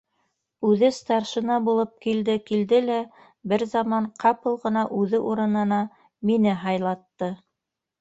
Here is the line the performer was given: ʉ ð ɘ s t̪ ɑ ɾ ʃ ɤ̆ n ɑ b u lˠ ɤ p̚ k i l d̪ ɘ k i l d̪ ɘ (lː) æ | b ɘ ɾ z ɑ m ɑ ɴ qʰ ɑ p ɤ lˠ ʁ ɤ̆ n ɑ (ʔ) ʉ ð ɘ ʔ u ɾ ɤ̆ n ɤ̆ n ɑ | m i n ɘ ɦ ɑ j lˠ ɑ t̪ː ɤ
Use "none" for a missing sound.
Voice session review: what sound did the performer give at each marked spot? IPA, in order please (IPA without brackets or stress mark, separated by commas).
l, ʔ